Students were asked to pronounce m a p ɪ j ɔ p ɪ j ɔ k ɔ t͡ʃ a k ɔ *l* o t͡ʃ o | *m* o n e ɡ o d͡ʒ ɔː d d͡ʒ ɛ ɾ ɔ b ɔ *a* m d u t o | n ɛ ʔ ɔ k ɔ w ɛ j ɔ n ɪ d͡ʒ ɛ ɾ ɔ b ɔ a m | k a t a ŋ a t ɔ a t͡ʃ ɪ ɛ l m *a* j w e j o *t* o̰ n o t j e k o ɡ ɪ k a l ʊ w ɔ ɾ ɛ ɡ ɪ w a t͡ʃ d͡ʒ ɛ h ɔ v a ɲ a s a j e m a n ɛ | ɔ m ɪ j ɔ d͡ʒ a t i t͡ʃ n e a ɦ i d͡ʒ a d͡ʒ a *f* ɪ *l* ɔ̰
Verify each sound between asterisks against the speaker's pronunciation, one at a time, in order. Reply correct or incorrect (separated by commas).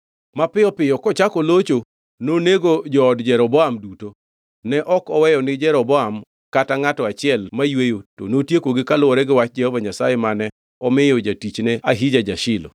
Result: correct, incorrect, correct, correct, correct, incorrect, correct